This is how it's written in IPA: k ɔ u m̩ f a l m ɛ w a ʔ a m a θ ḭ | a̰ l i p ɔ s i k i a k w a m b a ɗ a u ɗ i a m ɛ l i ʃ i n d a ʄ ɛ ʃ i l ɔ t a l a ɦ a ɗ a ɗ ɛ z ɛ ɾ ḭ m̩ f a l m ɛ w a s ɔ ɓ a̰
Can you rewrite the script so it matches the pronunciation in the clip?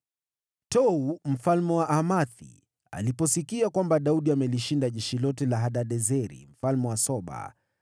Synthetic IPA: t ɔ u m̩ f a l m ɛ w a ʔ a m a θ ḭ | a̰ l i p ɔ s i k i a k w a m b a ɗ a u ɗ i a m ɛ l i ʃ i n d a ʄ ɛ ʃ i l ɔ t ɛ l a ɦ a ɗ a ɗ ɛ z ɛ ɾ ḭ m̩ f a l m ɛ w a s ɔ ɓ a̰